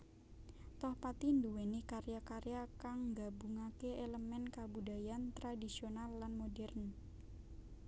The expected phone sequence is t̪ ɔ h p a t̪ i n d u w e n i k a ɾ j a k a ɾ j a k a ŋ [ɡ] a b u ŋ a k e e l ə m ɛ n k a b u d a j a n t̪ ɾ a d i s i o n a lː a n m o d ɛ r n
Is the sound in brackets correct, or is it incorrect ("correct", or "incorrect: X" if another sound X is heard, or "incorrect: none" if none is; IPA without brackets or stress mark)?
correct